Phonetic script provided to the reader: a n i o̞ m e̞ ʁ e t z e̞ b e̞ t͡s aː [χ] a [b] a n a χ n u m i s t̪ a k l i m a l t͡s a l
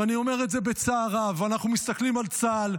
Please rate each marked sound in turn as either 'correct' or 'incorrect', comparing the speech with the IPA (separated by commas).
incorrect, incorrect